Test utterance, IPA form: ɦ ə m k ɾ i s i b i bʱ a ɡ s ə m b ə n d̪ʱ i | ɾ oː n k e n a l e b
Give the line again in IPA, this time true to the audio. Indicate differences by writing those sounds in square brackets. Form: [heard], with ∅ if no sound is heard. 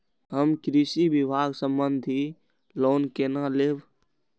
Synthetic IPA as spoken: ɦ ə m k ɾ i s i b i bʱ a ɡ s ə m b ə n d̪ʱ i | [l] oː n k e n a l e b